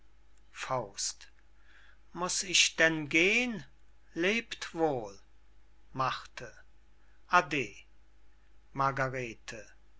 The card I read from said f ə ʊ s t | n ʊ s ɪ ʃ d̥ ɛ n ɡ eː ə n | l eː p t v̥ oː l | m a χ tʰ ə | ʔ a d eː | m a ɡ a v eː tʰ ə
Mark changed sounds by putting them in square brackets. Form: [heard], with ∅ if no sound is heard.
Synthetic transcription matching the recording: f [a] ʊ s t | [m] ʊ s ɪ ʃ d̥ ɛ n ɡ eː ə n | l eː p t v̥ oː l | m a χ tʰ ə | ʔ a d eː | m a ɡ a [ʁ] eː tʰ ə